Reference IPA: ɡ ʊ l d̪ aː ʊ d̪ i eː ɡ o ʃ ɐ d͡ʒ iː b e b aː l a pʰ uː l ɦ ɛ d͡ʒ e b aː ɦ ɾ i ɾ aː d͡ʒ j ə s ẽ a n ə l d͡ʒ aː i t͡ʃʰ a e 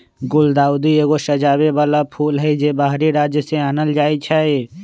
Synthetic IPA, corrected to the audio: ɡ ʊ l d̪ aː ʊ d̪ i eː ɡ o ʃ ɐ d͡ʒ aː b e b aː l a pʰ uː l ɦ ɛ d͡ʒ e b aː ɦ ɾ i ɾ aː d͡ʒ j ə s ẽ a n ə l d͡ʒ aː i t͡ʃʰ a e